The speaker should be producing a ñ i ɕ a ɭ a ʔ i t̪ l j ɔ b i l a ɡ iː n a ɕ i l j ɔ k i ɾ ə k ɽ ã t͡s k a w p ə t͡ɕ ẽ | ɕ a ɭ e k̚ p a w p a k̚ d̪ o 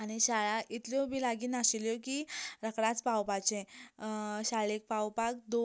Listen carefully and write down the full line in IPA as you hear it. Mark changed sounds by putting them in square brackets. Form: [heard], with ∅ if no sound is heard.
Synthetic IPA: a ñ i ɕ a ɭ a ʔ i t̪ l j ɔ b i l a ɡ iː n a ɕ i l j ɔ k i ɾ ə k ɽ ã t͡s [p] a w p [a] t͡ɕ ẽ | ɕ a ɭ e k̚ p a w p a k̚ d̪ o